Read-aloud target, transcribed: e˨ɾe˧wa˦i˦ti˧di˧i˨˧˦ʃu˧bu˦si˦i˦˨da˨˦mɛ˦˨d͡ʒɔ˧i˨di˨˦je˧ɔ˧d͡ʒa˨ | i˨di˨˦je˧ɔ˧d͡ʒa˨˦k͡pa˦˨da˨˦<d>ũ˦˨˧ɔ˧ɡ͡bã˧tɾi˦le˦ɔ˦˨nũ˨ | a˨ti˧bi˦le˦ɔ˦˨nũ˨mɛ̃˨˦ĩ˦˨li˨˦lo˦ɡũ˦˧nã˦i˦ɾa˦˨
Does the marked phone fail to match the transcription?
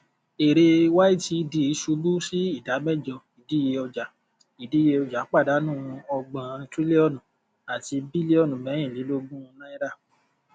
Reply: yes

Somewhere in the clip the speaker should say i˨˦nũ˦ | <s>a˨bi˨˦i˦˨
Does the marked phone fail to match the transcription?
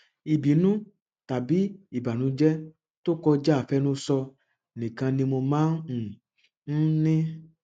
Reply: yes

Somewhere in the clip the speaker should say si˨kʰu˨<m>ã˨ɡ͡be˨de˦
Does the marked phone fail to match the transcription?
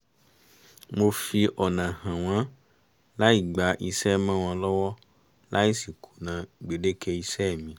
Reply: yes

